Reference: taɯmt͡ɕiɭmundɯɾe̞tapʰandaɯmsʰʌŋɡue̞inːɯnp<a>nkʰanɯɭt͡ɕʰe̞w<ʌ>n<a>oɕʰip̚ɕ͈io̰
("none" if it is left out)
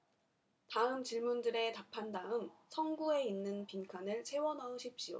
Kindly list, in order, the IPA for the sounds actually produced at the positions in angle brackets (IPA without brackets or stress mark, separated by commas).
i, ʌ, a